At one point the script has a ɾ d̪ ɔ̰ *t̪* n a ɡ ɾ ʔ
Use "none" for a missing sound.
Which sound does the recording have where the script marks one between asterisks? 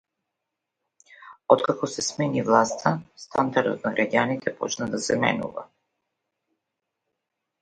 t̪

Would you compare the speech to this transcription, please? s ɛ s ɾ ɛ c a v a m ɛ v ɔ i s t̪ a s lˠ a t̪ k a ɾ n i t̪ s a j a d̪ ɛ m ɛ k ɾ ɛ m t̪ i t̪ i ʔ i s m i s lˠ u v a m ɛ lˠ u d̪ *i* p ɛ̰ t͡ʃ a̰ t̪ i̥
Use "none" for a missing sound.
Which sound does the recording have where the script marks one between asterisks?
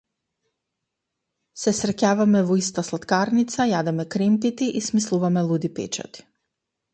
i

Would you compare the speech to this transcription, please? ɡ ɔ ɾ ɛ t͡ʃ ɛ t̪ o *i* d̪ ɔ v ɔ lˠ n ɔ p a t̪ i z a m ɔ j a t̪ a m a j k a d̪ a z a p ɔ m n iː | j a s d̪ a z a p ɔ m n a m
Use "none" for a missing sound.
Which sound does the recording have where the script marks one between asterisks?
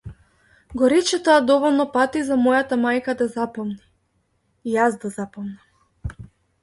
a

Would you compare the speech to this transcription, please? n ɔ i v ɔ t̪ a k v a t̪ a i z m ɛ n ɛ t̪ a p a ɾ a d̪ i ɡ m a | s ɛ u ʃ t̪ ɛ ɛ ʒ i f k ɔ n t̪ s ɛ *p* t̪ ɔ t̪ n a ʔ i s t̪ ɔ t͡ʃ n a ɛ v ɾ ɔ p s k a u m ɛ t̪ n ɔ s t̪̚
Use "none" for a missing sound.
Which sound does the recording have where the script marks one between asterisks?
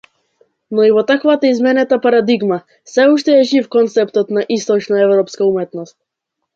p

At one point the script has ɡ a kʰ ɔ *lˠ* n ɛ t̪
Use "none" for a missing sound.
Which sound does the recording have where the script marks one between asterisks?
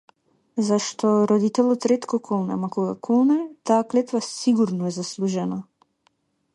lˠ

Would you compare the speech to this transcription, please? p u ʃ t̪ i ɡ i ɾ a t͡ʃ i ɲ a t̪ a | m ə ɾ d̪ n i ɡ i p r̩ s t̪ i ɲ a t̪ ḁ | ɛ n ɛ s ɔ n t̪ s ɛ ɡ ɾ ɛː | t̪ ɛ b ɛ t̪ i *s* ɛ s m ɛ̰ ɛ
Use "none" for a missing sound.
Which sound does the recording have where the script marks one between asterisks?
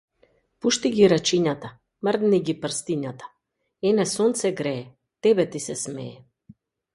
s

